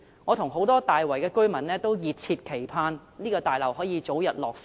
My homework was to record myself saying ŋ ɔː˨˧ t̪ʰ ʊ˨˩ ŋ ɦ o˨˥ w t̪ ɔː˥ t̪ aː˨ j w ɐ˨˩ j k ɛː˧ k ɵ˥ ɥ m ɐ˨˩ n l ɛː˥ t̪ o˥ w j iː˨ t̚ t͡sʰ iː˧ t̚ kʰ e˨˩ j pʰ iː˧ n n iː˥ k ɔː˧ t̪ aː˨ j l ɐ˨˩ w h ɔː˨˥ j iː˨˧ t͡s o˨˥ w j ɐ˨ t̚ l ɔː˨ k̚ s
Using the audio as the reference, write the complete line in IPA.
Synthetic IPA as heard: ŋ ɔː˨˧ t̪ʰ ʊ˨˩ ŋ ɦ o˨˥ w t̪ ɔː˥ t̪ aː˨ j w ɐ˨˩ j k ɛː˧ k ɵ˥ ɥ m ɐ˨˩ n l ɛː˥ t̪ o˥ w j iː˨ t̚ t͡sʰ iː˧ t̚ kʰ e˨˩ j pʰ aː˧ n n iː˥ k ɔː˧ t̪ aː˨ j l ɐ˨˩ w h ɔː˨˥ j iː˨˧ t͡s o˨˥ w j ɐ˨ t̚ l ɔː˨ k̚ s

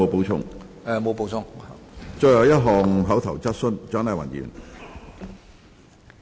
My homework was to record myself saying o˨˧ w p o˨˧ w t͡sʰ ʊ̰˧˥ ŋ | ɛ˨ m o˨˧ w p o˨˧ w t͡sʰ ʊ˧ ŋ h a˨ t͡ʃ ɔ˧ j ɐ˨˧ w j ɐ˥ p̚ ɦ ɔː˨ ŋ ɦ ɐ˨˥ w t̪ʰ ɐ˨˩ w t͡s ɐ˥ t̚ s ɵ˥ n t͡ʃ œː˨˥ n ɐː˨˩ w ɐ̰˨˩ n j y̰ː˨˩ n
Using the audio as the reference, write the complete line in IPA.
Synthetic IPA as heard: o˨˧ w p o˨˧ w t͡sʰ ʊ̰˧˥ ŋ | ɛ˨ m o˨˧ w p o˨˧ w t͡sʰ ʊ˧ ŋ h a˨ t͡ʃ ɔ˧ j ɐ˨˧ w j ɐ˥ t̚ ɦ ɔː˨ ŋ ɦ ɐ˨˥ w t̪ʰ ɐ˨˩ w t͡s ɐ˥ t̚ s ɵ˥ n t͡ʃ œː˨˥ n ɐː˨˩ w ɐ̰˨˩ n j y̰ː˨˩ n

